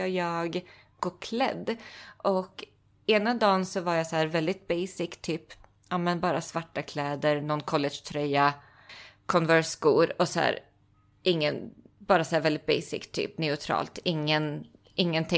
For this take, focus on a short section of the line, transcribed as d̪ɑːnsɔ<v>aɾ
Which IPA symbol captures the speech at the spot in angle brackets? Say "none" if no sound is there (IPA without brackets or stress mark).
v